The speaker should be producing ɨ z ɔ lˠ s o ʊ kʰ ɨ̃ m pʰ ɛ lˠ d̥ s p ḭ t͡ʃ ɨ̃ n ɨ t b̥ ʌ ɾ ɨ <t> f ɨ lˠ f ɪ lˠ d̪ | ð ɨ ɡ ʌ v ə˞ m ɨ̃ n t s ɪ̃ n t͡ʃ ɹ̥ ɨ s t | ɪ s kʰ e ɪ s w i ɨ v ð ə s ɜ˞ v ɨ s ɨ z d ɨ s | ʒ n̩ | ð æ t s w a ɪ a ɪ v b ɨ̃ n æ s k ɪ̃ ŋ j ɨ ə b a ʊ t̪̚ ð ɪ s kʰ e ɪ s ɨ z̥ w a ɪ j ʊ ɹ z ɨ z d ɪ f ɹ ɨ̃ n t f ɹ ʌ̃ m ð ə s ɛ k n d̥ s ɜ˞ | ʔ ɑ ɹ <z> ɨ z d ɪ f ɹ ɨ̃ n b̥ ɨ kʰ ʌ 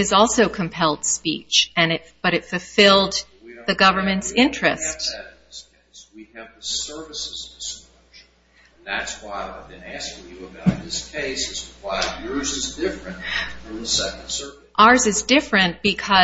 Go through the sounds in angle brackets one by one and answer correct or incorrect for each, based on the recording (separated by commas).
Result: correct, correct